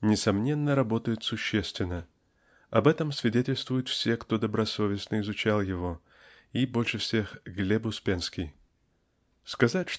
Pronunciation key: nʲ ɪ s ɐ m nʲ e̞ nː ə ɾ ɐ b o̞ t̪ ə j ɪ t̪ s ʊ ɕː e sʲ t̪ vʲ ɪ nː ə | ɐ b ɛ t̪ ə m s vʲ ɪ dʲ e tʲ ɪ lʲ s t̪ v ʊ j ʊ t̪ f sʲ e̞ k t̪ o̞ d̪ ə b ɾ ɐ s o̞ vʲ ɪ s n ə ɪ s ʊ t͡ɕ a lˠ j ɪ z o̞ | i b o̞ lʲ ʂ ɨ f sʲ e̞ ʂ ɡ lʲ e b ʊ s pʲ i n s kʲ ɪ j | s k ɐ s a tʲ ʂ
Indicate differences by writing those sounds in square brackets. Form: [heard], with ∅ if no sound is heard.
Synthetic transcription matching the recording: nʲ ɪ s ɐ m nʲ e̞ nː ə ɾ ɐ b o̞ t̪ ə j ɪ t̪ s ʊ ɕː e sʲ t̪ vʲ ɪ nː ə | ɐ b ɛ t̪ ə m s vʲ ɪ dʲ e tʲ ɪ lʲ s t̪ v ʊ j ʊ t̪ f sʲ e̞ k t̪ o̞ d̪ ə b ɾ ɐ s o̞ vʲ ɪ s n ə ɪ [z] ʊ t͡ɕ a lˠ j ɪ [v] o̞ | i b o̞ lʲ ʂ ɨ f sʲ e̞ [x] ɡ lʲ e b ʊ s pʲ [e] n s kʲ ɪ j | s k ɐ [z] a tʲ ʂ